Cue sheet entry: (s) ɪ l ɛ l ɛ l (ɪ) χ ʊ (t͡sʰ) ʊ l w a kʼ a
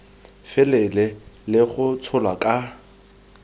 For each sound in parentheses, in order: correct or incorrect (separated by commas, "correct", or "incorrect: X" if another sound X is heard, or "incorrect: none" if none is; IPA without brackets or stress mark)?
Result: incorrect: f, correct, correct